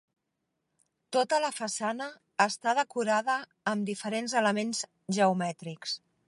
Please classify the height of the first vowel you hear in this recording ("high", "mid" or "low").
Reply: mid